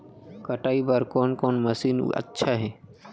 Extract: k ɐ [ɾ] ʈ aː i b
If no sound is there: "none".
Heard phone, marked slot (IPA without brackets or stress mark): none